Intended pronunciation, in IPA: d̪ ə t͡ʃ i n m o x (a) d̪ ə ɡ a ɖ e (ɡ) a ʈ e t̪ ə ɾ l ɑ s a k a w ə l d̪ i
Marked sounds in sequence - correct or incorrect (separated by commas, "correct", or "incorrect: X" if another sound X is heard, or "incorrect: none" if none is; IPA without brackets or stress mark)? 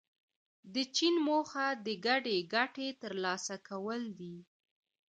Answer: correct, correct